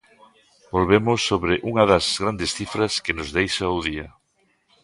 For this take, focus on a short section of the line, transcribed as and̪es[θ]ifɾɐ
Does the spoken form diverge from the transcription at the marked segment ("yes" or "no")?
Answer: no